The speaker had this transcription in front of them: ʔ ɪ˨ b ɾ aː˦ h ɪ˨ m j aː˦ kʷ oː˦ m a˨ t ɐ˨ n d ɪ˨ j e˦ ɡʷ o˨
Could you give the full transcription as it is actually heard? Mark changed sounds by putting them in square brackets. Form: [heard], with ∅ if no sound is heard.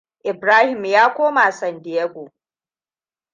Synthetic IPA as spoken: ʔ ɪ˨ b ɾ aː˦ h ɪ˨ m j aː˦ kʷ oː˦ m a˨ [s] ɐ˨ n d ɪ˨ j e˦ ɡʷ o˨

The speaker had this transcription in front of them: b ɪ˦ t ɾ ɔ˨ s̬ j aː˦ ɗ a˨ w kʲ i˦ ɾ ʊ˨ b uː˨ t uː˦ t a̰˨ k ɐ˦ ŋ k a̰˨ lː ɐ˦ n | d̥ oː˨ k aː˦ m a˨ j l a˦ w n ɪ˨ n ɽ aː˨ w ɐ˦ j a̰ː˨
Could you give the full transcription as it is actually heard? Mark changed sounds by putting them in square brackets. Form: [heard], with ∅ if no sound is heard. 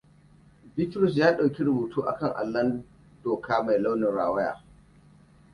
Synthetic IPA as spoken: b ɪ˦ t ɾ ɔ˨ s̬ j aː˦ ɗ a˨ w kʲ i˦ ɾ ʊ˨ b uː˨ t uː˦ [ʔ] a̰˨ k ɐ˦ ŋ [ʔ] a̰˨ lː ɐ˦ n | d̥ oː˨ k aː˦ m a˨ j l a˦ w n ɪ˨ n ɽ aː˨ w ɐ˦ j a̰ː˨

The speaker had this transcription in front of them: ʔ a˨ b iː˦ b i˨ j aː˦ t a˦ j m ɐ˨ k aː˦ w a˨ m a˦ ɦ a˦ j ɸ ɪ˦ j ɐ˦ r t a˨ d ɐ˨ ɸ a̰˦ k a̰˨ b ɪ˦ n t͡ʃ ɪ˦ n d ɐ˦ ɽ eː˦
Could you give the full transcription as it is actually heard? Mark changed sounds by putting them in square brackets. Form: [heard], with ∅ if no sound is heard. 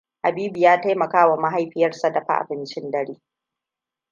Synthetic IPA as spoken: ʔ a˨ b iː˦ b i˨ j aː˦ t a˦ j m ɐ˨ k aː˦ w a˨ m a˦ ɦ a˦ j ɸ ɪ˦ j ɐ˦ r [s] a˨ d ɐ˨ ɸ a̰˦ [ʔ] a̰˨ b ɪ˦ n t͡ʃ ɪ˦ n d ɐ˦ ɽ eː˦

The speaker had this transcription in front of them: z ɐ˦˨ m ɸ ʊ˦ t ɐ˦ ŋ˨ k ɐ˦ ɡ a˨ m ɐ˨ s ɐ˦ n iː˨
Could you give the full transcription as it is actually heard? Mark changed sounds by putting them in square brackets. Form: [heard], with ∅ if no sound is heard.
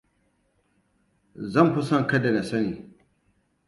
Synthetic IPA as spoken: z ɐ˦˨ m ɸ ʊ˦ [s] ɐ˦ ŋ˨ k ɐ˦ [d] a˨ [n] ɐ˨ s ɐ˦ n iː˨

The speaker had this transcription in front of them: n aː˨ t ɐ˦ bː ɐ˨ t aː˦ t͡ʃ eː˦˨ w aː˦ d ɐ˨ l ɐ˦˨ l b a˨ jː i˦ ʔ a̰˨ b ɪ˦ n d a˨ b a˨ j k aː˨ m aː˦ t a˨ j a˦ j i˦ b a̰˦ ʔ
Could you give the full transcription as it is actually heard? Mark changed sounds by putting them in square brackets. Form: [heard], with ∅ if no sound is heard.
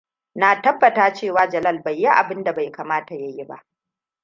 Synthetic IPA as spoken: n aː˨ t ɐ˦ bː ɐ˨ t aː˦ t͡ʃ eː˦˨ w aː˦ [d͡ʒ] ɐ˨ l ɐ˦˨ l b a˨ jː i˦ ʔ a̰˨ b ɪ˦ n d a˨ b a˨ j k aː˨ m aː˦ t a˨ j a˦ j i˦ b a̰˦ ʔ

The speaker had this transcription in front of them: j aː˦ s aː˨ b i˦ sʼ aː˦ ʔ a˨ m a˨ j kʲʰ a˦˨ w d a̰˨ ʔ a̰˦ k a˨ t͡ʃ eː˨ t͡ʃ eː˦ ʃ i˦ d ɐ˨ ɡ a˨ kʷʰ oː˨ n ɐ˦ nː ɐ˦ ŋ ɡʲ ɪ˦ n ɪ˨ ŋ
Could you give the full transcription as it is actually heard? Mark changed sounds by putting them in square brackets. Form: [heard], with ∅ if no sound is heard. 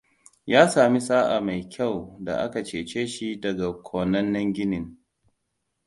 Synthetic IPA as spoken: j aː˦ s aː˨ [m] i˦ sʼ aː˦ ʔ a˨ m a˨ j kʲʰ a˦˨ w d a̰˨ ʔ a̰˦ k a˨ t͡ʃ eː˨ t͡ʃ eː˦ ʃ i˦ d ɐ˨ ɡ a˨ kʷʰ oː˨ n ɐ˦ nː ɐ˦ ŋ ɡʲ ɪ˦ n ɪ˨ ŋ

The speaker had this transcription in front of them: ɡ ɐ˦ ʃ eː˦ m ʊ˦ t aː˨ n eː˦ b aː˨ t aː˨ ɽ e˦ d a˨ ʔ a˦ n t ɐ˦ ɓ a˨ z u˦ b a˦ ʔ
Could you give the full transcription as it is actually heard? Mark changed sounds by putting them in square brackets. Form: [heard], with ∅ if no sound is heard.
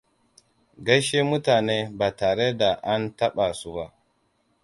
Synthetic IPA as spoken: ɡ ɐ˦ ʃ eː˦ m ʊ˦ t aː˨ n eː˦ b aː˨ t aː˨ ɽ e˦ d a˨ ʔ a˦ n t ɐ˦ ɓ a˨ [s] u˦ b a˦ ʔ

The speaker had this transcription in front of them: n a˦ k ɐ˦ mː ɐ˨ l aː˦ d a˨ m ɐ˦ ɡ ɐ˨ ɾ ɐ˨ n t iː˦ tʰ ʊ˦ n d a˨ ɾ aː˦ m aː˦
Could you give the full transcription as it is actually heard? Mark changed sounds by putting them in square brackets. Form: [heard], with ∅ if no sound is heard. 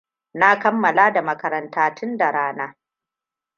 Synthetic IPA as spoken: n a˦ k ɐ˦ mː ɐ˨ l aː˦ d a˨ m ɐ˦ [k] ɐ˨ ɾ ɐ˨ n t [aː˦] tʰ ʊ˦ n d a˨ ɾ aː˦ [n] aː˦

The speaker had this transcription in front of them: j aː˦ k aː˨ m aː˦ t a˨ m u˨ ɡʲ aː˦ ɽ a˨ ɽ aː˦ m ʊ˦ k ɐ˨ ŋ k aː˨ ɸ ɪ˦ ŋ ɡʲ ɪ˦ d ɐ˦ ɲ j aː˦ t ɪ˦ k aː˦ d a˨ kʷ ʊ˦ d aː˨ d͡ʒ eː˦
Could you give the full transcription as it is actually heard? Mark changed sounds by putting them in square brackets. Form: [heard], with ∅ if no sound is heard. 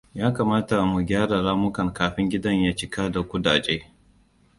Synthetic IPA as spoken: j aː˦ k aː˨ m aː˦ t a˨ m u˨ ɡʲ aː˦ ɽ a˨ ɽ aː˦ m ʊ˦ k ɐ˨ ŋ k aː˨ ɸ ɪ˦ ŋ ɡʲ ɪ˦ d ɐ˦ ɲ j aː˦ [t͡ʃ] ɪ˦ k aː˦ d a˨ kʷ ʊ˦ d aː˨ d͡ʒ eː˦

